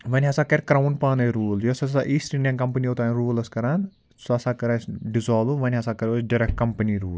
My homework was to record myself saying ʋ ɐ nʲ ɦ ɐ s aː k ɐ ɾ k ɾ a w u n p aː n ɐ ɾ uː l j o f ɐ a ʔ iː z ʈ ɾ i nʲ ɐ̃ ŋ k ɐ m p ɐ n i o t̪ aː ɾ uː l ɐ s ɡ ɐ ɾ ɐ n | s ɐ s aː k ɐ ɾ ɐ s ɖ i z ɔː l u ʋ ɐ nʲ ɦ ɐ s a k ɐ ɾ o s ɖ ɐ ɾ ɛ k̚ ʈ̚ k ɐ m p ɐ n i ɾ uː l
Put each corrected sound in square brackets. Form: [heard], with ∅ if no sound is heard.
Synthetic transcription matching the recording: ʋ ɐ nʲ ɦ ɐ s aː k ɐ ɾ k ɾ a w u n p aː n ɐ ɾ uː l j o [s] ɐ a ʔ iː [s] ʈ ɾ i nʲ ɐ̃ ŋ k ɐ m p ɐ n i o t̪ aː ɾ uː l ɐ s [k] ɐ ɾ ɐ n | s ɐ s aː k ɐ ɾ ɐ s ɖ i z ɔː l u ʋ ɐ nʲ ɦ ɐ s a k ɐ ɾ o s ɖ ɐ ɾ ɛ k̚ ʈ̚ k ɐ m p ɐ n i ɾ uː l

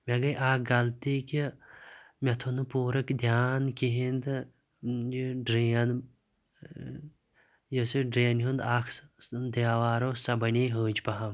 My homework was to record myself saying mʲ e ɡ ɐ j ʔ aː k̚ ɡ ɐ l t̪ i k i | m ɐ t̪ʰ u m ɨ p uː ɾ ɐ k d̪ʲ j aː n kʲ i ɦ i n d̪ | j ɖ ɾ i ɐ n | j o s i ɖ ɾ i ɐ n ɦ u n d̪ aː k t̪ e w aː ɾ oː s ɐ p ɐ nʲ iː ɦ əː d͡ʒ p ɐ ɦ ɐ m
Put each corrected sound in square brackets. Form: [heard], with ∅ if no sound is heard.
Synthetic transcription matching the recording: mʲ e ɡ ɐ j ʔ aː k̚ ɡ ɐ l t̪ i k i | m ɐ t̪ʰ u [n] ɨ p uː ɾ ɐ k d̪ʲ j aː n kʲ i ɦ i n d̪ | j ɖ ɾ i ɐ n | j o s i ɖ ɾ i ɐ n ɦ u n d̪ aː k [d̪] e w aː ɾ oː s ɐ [b] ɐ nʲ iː ɦ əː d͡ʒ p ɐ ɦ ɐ m

